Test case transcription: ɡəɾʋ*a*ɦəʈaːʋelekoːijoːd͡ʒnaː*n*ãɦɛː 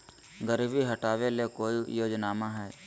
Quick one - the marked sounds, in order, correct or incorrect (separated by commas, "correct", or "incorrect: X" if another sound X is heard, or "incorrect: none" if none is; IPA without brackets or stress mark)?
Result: incorrect: i, incorrect: m